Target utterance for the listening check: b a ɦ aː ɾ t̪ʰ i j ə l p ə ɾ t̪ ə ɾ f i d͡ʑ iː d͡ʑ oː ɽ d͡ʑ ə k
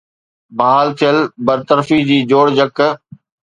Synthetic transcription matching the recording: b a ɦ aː l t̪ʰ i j ə l b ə ɾ t̪ ə ɾ f i d͡ʑ iː d͡ʑ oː ɽ d͡ʑ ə k